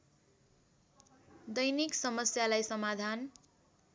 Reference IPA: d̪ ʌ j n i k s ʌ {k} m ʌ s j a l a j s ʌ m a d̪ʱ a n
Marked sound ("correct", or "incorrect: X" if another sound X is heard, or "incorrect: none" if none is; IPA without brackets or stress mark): incorrect: none